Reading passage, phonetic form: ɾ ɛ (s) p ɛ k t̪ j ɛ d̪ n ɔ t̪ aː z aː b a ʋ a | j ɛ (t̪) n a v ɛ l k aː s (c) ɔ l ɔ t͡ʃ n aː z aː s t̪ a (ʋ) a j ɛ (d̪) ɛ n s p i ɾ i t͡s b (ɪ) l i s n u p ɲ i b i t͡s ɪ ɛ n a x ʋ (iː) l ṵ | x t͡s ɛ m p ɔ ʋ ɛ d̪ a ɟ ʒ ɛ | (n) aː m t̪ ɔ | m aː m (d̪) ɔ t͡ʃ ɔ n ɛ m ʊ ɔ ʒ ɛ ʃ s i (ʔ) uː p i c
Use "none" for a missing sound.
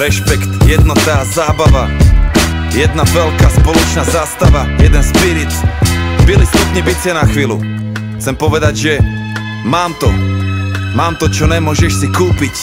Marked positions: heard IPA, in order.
ʃ, d̪, p, ʋ, d̪, i, iː, m, t̪, k

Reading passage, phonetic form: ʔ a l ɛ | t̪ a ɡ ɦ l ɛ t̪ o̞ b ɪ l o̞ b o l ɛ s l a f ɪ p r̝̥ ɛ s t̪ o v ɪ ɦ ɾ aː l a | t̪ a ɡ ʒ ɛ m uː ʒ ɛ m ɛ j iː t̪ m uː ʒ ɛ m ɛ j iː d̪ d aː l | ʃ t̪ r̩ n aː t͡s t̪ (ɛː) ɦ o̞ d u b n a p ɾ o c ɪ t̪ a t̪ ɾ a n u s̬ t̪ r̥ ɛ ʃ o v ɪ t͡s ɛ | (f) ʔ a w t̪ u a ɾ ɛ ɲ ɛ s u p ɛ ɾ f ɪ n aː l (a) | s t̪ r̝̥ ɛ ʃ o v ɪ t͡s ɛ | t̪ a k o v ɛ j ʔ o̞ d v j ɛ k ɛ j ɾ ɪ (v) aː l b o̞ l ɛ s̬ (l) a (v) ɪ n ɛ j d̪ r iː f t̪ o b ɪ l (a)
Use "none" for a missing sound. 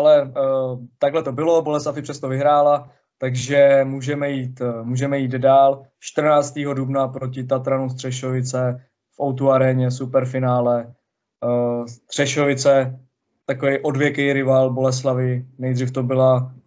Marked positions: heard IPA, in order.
iː, f, ɛ, v, l, v, a

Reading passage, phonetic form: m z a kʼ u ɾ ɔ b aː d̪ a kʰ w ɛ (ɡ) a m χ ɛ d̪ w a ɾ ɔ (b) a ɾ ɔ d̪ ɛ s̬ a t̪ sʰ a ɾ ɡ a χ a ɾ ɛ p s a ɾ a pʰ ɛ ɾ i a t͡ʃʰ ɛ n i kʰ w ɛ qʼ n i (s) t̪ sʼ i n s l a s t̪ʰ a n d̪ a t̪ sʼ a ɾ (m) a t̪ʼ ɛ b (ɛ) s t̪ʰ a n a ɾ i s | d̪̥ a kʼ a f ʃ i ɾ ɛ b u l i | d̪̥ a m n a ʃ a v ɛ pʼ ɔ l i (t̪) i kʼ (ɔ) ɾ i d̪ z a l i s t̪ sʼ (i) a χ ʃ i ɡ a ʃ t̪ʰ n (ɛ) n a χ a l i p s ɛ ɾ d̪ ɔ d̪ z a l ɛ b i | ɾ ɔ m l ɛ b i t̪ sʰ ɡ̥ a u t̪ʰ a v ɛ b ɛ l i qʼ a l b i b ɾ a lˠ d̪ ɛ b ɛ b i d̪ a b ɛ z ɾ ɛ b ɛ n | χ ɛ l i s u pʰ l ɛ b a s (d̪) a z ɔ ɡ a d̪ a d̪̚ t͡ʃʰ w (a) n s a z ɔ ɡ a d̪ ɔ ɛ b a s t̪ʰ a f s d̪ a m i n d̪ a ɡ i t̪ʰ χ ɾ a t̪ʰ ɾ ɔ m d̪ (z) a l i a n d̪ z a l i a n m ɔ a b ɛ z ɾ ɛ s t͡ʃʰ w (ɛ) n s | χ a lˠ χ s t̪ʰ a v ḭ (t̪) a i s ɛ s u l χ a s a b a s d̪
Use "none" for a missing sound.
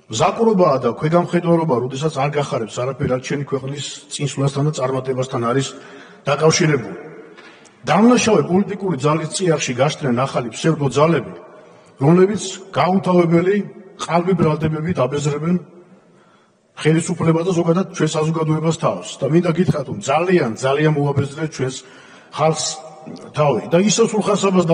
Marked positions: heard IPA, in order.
ɡ, b, s, m, a, t̪ʼ, u, i, ɛ, d̪, ɛ, z, ɛ, d̪

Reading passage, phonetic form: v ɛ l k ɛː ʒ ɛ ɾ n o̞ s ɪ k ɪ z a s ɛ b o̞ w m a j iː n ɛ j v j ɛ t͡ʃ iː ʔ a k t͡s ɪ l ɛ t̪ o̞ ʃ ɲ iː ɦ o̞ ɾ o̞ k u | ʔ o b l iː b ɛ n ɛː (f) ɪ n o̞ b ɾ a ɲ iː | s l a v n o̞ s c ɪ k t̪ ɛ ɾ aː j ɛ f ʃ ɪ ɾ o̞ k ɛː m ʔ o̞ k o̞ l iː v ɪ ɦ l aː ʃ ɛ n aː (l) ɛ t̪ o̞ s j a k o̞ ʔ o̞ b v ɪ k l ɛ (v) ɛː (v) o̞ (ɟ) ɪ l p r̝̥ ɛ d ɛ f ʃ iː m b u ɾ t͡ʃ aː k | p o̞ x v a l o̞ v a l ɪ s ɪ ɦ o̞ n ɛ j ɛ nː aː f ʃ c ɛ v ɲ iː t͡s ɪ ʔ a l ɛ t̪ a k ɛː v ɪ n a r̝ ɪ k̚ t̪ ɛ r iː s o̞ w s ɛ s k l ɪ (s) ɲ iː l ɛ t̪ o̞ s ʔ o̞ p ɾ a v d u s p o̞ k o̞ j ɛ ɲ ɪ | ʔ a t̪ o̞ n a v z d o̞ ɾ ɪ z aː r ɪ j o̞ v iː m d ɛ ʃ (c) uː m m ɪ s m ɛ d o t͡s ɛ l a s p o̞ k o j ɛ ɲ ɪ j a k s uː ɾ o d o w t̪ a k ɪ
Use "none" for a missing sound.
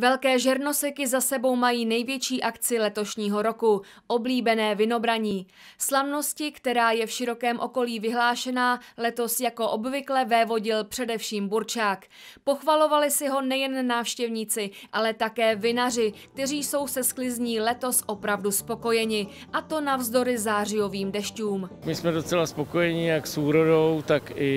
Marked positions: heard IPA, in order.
v, l, v, v, ɟ, z, c

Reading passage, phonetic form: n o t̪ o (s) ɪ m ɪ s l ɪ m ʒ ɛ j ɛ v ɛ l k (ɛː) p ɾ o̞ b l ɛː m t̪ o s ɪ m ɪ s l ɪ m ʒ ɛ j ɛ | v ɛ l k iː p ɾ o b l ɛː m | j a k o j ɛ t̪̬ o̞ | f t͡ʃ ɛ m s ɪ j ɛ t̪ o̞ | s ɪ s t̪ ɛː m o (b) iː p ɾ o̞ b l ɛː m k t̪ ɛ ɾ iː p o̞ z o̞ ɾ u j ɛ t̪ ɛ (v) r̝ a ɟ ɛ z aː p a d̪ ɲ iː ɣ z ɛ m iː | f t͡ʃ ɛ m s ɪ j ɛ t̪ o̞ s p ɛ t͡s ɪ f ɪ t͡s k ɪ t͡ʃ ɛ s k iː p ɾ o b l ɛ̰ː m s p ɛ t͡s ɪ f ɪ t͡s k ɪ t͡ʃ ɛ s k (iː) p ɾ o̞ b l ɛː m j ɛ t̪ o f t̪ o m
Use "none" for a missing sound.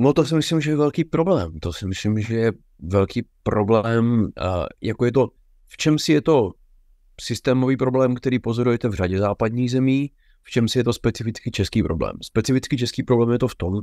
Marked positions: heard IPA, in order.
s, iː, v, v, iː

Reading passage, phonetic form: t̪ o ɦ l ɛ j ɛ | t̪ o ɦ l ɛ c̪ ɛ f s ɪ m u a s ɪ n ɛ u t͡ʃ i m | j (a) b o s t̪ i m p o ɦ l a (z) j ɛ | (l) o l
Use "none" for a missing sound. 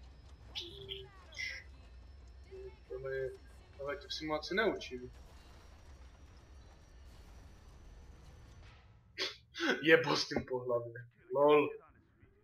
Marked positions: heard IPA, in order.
ɛ, v, l

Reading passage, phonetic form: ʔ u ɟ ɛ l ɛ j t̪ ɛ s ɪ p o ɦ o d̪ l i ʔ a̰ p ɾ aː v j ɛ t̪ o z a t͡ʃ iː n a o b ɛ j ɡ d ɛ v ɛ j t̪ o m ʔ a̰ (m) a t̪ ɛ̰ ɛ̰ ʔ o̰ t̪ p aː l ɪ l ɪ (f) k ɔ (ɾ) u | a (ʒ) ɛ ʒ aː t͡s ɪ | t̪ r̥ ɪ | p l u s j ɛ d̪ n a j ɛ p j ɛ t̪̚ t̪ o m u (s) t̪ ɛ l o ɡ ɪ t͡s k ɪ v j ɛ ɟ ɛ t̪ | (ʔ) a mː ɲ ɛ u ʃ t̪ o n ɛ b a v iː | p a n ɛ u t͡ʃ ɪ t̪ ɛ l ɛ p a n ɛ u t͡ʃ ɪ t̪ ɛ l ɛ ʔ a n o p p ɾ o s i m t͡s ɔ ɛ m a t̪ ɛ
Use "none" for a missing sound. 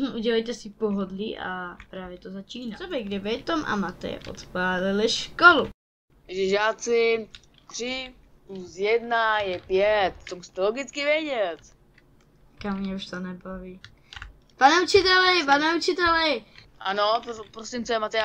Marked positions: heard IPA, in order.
m, ʃ, l, ʒ, s, k

